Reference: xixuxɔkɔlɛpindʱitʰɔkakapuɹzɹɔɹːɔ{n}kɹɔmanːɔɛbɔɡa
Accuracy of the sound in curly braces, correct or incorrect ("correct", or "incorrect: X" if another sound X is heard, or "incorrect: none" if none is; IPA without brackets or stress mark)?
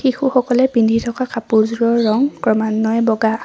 incorrect: ŋ